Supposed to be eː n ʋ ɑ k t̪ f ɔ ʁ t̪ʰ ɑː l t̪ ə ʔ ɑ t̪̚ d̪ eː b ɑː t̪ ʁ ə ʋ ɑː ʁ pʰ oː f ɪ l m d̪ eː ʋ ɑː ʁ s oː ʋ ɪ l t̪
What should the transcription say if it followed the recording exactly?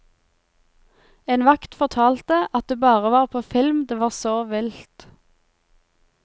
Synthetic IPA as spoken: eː n ʋ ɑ k t̪ f ɔ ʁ t̪ʰ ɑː l t̪ ə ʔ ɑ t̪̚ d̪ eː b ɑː ʁ ə ʋ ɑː ʁ pʰ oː f ɪ l m d̪ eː ʋ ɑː ʁ s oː ʋ ɪ l t̪

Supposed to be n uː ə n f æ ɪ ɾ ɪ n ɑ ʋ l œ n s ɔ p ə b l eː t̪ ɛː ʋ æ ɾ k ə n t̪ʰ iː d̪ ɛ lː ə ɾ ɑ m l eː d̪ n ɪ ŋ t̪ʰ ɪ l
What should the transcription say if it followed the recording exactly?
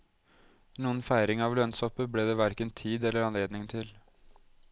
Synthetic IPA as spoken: n uː ə n f æ ɪ ɾ ɪ ŋ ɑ ʋ l œ n s ɔ p ə b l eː d̪ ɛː ʋ æ ɾ k ə n t̪ʰ iː d̪ ɛ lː ə ɾ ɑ n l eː d̪ n ɪ ŋ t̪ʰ ɪ l

